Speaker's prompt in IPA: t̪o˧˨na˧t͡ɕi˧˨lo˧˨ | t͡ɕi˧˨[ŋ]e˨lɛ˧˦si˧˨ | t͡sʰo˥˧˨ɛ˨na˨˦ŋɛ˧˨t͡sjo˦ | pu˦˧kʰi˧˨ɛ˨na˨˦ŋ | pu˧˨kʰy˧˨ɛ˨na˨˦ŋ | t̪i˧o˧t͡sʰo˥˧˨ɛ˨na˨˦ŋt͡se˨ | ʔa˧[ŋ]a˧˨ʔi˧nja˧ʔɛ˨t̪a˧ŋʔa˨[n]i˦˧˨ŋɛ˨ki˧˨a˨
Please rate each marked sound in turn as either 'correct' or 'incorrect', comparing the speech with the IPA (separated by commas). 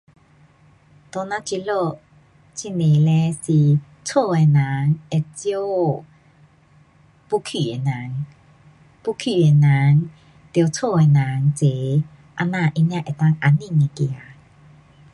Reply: incorrect, incorrect, correct